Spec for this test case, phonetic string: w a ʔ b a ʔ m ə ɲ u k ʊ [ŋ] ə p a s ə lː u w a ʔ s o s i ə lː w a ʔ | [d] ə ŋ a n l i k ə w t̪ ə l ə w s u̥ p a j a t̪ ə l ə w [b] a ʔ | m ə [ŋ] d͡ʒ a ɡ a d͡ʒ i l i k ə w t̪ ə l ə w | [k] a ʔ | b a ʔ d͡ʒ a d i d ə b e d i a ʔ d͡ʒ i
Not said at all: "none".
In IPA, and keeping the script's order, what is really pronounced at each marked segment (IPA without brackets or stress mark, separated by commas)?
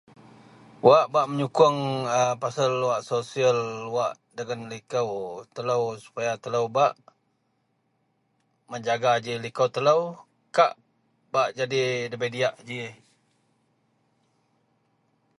ŋ, d, b, ɲ, k